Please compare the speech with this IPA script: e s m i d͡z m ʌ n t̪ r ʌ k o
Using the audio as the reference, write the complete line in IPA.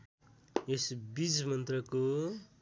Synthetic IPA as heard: e s b i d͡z m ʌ n t̪ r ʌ k o